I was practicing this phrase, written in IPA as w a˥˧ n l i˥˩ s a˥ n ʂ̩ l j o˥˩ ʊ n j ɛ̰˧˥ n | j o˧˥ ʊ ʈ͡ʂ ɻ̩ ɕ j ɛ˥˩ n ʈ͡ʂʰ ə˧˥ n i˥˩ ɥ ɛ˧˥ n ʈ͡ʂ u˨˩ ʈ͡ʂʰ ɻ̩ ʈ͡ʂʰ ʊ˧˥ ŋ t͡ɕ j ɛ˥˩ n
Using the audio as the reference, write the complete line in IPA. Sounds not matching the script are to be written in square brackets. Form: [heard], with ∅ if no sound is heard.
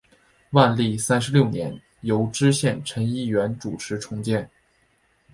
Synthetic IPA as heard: w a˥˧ n l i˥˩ s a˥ n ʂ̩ l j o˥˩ ʊ n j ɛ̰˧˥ n | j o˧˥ ʊ ʈ͡ʂ ɻ̩ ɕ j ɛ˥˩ n ʈ͡ʂʰ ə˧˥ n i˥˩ ɥ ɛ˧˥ n ʈ͡ʂ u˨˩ ʈ͡ʂʰ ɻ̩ ʈ͡ʂʰ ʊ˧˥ ŋ t͡ɕ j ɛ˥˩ n